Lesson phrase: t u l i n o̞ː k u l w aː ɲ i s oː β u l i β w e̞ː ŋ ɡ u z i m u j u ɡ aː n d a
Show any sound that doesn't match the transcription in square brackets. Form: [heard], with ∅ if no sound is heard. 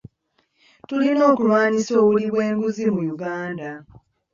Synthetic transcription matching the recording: t u l i n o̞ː k u l w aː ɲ i s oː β u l i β w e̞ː ŋ ɡ u z i m u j u ɡ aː n d a